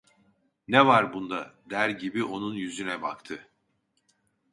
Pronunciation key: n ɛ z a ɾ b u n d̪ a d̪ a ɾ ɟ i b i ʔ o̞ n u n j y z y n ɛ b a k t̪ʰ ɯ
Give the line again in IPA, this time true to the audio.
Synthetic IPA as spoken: n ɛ v a ɾ b u n d̪ a d̪ æ ɾ ɟ i b i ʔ o̞ n u n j y z y n ɛ b a k t̪ʰ ɯ